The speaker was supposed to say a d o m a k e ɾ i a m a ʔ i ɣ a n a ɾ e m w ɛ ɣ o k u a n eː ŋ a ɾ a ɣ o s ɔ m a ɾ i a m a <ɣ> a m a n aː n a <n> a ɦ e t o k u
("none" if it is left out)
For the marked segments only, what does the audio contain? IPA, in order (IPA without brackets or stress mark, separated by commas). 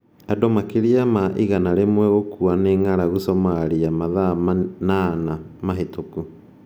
ð, m